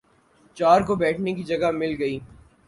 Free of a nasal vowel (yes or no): yes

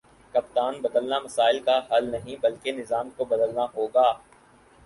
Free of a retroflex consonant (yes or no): yes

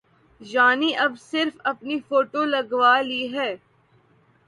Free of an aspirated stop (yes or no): yes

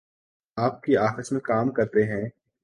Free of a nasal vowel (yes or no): no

